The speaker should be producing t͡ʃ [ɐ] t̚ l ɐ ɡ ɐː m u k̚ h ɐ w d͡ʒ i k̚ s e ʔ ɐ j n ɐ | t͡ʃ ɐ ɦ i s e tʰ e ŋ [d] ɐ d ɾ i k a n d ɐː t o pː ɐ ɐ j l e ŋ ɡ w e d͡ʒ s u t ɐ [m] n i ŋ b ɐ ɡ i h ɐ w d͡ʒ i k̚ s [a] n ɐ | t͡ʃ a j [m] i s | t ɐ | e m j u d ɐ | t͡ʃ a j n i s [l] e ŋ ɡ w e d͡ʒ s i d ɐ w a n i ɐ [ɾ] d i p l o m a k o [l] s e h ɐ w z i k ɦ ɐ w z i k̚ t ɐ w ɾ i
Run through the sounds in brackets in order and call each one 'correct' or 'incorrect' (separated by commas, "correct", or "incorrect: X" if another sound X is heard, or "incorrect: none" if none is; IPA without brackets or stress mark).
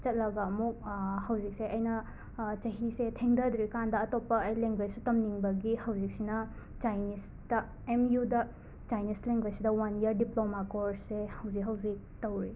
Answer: correct, correct, correct, incorrect: i, incorrect: n, correct, correct, incorrect: ɾ